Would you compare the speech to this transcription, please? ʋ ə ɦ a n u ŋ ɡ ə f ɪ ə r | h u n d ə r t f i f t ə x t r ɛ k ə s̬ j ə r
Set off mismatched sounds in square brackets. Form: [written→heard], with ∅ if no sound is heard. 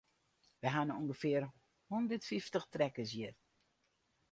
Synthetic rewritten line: ʋ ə ɦ a n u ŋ ɡ ə f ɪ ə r | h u n d ə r t f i f t ə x t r ɛ k ə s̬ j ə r